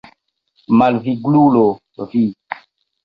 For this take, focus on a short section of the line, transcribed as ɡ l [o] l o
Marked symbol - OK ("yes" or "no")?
no